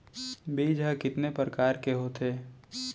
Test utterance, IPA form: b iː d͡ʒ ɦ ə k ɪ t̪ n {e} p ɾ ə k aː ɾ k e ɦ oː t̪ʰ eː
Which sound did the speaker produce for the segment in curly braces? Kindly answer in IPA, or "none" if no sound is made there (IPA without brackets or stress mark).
e